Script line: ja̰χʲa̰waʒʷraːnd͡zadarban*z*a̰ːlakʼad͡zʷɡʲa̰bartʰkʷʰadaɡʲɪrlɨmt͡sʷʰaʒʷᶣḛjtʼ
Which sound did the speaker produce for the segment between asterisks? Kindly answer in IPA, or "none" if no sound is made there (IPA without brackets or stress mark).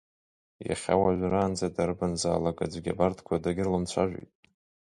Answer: z